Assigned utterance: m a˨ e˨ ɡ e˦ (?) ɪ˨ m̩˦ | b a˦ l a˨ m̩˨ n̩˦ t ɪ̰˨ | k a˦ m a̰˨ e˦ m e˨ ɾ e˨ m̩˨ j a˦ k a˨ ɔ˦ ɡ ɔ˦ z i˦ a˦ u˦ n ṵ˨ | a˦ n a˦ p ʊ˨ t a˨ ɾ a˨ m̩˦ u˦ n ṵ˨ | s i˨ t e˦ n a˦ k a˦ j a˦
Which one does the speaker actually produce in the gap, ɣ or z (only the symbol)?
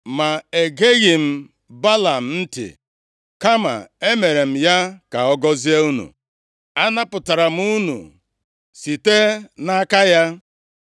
ɣ